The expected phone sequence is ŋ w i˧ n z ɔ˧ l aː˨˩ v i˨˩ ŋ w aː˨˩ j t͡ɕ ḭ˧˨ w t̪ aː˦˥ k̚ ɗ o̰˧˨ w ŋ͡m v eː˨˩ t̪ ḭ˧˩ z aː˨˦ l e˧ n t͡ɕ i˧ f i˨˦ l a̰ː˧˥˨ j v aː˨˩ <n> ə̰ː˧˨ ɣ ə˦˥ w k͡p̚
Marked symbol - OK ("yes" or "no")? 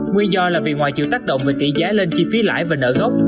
yes